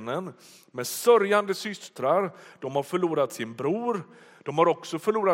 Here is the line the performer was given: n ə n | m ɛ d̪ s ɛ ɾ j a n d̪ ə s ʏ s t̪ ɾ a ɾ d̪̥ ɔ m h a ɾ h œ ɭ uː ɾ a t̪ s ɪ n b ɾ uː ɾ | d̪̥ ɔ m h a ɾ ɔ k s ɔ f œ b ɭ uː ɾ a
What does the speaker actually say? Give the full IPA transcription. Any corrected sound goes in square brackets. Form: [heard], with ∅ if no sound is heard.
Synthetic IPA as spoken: n ə n | m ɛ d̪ s [œ] ɾ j a n d̪ ə s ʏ s t̪ ɾ a ɾ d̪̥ ɔ m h a ɾ [f] œ ɭ uː ɾ a t̪ s ɪ n b ɾ uː ɾ | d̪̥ ɔ m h a ɾ ɔ k s ɔ f œ [∅] ɭ uː ɾ a